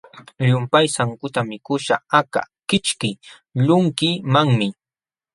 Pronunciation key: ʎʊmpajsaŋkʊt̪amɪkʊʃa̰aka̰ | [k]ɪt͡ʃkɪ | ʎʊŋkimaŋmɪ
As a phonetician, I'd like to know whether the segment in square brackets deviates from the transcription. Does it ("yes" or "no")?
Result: no